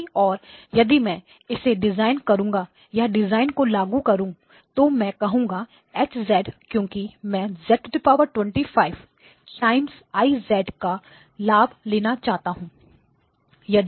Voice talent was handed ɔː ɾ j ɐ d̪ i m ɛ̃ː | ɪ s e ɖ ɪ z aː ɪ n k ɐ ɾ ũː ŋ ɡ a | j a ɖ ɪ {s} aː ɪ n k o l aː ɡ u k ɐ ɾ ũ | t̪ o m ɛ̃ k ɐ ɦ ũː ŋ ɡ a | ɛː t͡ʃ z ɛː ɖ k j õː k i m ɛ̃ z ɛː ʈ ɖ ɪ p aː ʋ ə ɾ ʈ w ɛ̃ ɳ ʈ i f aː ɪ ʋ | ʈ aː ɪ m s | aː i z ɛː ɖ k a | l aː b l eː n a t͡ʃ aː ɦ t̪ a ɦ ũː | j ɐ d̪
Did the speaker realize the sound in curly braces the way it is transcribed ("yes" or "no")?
no